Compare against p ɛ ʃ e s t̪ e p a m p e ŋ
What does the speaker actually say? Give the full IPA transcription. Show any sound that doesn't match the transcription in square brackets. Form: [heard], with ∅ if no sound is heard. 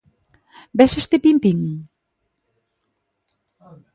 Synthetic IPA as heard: [b] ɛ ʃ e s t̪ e p [i] m p [i] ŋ